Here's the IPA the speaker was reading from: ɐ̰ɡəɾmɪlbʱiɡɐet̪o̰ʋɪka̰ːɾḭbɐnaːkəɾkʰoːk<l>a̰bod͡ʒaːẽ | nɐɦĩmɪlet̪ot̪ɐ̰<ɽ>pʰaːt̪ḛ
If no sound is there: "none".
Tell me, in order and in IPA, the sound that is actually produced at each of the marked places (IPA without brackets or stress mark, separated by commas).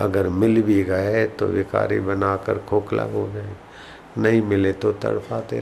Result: l, ɽ